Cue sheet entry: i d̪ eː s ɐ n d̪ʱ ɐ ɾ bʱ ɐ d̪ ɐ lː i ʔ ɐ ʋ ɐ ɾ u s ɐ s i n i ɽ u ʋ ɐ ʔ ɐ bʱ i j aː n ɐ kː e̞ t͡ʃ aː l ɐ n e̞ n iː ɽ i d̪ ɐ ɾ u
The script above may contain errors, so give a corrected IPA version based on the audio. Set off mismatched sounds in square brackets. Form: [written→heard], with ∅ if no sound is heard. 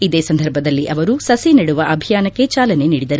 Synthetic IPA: i d̪ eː s ɐ n d̪ʱ ɐ ɾ bʱ ɐ d̪ ɐ lː i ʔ ɐ ʋ ɐ ɾ u s ɐ s i n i ɽ u ʋ ɐ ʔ ɐ bʱ i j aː n ɐ kː e̞ t͡ʃ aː l ɐ n e̞ n iː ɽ i d̪ ɐ ɾ u